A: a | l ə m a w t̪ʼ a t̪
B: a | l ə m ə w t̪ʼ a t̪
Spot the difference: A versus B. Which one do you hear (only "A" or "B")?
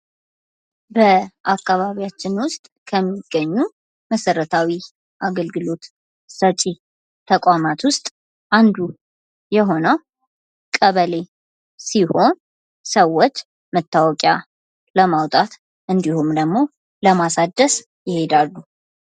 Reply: A